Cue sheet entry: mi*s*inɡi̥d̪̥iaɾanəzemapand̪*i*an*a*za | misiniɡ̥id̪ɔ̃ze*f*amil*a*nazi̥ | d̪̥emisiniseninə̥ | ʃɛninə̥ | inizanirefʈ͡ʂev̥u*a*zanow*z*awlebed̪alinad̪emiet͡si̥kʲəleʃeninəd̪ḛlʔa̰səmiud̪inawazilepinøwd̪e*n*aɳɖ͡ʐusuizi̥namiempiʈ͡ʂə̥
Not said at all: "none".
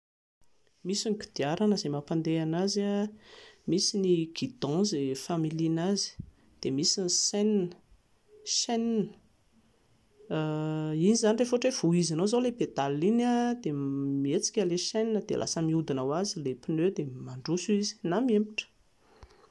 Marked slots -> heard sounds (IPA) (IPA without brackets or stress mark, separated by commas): s, e, a, f, i, i, z, m